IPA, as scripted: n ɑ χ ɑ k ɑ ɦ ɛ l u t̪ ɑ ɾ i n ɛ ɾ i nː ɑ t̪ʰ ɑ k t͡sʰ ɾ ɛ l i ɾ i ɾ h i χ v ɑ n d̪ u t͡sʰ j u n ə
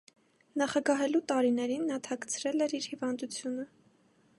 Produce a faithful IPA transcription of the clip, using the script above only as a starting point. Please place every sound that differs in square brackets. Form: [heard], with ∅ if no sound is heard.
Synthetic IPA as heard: n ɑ χ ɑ [ɡ] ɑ ɦ ɛ l u t̪ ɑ ɾ i n ɛ ɾ i nː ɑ t̪ʰ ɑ k t͡sʰ ɾ ɛ l [ɛ] ɾ i ɾ h i [∅] v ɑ n d̪ u t͡sʰ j u n ə